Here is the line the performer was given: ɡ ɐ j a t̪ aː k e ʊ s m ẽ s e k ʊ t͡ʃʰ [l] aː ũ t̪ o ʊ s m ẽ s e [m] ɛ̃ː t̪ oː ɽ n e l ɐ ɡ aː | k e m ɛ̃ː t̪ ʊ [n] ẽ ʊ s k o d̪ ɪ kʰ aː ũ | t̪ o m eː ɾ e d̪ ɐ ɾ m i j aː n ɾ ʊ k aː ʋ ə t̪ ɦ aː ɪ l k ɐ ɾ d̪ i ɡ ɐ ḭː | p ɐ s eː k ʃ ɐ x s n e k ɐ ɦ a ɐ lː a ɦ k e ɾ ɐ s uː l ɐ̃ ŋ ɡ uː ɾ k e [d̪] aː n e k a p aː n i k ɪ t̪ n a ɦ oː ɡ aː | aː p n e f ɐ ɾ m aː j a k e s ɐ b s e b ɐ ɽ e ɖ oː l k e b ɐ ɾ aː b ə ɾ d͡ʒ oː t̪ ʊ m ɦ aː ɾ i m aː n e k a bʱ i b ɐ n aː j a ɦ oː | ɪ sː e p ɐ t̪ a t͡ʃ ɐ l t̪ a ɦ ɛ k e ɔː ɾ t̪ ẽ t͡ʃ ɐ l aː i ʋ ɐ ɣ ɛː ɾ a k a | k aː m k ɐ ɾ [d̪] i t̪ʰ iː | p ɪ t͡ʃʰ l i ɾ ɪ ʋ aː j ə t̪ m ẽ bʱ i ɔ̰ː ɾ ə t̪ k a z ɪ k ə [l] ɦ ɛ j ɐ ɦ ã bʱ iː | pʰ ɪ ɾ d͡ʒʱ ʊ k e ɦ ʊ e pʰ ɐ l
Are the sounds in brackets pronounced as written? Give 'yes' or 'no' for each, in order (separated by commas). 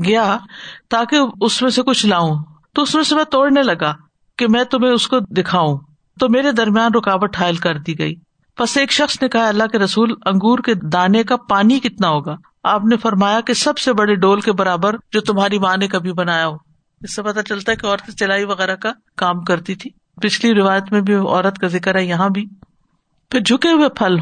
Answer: yes, yes, no, yes, no, no